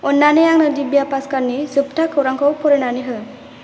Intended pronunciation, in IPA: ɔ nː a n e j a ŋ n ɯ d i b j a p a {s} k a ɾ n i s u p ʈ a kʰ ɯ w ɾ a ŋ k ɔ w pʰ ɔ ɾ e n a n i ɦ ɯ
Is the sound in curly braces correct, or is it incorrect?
correct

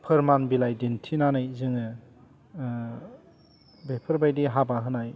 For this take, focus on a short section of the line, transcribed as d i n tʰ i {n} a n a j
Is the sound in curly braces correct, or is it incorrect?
correct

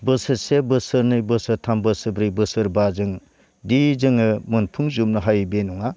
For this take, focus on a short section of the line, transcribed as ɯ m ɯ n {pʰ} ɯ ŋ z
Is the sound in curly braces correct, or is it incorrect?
correct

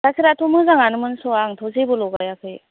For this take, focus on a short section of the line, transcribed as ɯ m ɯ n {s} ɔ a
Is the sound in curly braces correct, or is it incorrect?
correct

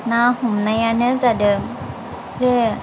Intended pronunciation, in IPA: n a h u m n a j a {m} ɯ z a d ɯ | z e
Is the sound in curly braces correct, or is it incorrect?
incorrect: n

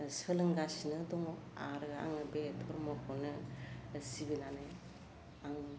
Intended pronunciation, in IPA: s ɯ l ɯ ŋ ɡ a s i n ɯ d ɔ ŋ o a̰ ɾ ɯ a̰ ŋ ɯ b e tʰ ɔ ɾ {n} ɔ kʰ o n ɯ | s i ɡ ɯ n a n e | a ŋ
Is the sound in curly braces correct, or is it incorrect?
incorrect: m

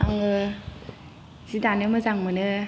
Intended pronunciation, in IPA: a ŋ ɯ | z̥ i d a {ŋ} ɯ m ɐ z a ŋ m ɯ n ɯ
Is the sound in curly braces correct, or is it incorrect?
incorrect: n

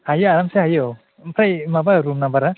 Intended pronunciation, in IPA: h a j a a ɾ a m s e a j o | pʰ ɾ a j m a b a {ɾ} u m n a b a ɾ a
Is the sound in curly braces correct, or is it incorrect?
correct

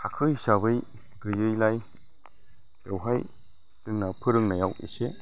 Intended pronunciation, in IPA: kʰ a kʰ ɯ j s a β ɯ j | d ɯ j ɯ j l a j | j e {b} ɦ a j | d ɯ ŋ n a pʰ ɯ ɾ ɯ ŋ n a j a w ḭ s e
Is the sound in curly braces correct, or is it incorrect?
incorrect: w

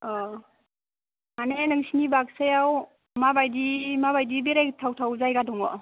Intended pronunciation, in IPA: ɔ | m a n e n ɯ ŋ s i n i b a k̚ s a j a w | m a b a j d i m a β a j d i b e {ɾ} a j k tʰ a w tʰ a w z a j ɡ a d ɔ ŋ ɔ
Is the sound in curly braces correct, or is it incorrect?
correct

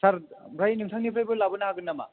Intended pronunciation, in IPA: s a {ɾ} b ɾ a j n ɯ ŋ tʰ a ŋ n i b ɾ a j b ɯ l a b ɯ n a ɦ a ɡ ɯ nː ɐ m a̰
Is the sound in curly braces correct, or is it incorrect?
correct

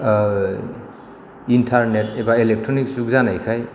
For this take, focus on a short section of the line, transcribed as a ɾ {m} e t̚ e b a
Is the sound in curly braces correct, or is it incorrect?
incorrect: n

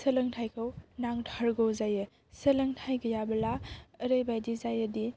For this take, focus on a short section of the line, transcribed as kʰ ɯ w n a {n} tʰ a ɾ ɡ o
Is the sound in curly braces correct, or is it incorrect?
incorrect: ŋ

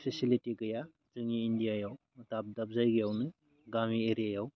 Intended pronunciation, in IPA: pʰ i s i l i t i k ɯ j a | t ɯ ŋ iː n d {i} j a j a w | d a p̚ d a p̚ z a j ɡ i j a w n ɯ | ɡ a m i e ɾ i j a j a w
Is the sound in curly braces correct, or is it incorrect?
correct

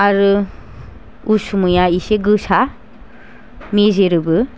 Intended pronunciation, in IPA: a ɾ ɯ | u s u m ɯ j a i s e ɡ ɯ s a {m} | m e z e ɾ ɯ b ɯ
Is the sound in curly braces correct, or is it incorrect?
incorrect: none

